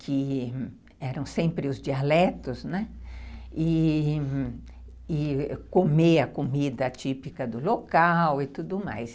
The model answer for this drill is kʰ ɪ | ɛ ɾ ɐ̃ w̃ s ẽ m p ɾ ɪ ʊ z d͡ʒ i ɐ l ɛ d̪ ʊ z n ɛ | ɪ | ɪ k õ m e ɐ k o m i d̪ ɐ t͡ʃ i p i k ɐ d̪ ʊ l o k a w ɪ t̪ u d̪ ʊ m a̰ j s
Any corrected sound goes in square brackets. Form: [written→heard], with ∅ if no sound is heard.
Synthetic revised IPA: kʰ ɪ | ɛ ɾ ɐ̃ w̃ s ẽ m p ɾ ɪ ʊ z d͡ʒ i [ɐ→a] l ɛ [d̪→t̪] ʊ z n ɛ | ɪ | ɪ k [õ→o] m e ɐ k o m i d̪ ɐ t͡ʃ i p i k ɐ d̪ ʊ l o k a w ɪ t̪ u d̪ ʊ m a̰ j s